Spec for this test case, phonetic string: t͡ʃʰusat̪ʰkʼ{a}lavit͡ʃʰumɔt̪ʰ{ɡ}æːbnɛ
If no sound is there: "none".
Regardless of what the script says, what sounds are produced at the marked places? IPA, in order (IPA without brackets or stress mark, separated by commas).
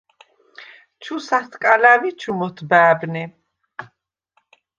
a, b